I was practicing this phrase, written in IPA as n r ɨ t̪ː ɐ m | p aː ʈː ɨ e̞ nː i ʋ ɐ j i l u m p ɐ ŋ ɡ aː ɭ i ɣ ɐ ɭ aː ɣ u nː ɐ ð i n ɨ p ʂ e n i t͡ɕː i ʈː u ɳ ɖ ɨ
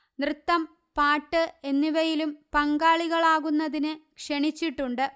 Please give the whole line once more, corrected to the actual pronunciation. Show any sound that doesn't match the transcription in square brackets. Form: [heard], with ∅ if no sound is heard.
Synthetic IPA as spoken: n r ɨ t̪ː ɐ m | p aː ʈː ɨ e̞ nː i ʋ ɐ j i l u m p ɐ ŋ ɡ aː ɭ i ɣ ɐ ɭ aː ɣ u nː ɐ ð i n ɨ [k] ʂ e [ɳ] i t͡ɕː i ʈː u ɳ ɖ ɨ

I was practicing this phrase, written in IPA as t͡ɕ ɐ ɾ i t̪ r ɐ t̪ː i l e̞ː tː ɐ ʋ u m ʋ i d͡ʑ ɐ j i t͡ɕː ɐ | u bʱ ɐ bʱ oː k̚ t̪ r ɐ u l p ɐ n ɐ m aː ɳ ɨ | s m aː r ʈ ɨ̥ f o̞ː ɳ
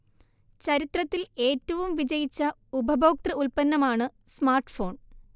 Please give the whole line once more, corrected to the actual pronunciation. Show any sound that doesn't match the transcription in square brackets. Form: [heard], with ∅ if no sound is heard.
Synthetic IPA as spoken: t͡ɕ ɐ ɾ i t̪ r ɐ t̪ː i l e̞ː tː ɐ ʋ u m ʋ i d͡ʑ ɐ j i t͡ɕː ɐ | u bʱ ɐ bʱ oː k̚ t̪ r ɐ u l p ɐ [nː] ɐ m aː ɳ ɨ | s m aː r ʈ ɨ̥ f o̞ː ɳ

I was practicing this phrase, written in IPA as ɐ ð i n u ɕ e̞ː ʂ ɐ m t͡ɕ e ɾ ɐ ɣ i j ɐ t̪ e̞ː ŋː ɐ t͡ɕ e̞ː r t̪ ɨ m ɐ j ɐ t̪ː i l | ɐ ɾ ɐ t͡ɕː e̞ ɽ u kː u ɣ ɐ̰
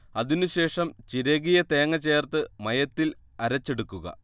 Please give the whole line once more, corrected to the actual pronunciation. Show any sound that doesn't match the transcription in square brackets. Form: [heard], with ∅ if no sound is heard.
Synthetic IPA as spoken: ɐ ð i n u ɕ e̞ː ʂ ɐ m t͡ɕ [i] ɾ ɐ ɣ i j ɐ t̪ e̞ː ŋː ɐ t͡ɕ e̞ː r t̪ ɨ m ɐ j ɐ t̪ː i l | ɐ ɾ ɐ t͡ɕː e̞ ɽ u kː u ɣ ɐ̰

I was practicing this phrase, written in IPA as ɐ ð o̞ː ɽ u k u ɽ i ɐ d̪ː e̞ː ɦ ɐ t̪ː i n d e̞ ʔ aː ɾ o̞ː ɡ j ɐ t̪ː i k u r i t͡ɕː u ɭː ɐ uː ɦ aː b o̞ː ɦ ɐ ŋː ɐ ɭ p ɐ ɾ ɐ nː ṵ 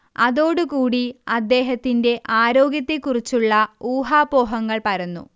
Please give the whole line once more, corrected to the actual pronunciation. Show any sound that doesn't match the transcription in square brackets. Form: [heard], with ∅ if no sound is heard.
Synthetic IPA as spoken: ɐ ð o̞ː ɽ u k [uː] ɽ i ɐ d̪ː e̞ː ɦ ɐ t̪ː i n d e̞ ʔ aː ɾ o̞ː ɡ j ɐ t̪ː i k u r i t͡ɕː u ɭː ɐ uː ɦ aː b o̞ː ɦ ɐ ŋː ɐ ɭ p ɐ ɾ ɐ nː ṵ

